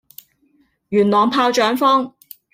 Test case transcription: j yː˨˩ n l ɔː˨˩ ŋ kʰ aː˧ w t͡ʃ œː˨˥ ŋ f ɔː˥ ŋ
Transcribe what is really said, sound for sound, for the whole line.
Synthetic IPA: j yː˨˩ n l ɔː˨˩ ŋ pʰ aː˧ w t͡ʃ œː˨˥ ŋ f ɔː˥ ŋ